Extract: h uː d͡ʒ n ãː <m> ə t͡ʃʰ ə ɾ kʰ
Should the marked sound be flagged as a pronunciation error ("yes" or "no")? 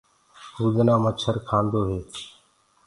no